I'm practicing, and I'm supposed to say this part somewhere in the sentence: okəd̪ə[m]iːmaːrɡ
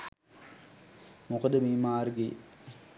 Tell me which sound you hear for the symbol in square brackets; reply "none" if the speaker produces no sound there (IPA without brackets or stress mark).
m